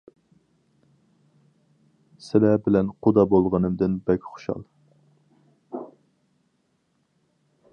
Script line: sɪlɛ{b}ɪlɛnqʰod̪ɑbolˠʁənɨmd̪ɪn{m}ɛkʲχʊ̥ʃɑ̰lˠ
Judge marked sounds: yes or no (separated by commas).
yes, no